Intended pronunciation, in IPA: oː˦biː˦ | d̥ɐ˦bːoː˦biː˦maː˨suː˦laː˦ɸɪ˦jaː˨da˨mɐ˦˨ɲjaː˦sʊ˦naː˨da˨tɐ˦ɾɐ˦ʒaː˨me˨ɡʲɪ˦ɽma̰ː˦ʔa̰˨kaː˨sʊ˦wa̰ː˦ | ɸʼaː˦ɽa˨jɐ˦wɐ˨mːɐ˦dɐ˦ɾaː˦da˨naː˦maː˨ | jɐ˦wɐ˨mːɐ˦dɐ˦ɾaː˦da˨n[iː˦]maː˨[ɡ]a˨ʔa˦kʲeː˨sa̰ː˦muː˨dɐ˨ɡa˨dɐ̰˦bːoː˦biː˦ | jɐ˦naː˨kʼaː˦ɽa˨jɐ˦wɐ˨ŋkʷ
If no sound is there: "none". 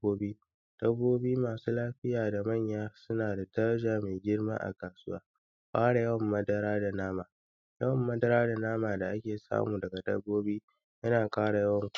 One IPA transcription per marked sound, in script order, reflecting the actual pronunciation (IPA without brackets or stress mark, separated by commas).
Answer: aː˦, d